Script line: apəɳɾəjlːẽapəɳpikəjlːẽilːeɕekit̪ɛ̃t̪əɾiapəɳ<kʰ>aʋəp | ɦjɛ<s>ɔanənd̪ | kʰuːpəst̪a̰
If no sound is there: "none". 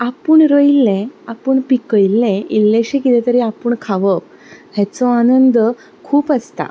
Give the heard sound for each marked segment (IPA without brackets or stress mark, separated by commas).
kʰ, t͡s